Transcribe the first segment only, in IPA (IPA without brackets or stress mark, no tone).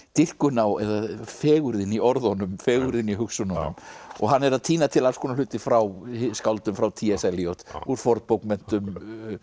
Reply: t̪